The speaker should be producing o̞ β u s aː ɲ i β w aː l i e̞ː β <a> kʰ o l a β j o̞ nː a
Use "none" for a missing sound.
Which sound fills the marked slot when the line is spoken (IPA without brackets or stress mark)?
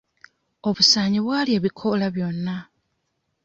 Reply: i